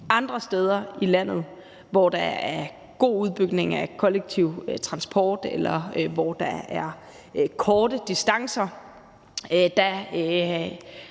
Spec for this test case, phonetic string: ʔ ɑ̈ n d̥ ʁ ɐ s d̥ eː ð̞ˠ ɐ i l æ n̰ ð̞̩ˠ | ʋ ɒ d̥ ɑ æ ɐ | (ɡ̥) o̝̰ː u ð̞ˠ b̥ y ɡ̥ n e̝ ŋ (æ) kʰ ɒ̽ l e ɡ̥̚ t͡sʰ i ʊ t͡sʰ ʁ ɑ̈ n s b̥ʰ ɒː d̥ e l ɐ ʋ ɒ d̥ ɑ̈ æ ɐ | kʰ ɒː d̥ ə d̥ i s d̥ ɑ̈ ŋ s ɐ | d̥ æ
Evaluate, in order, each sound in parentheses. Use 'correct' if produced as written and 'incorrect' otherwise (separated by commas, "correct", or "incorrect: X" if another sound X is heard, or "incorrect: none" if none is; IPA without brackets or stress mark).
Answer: correct, correct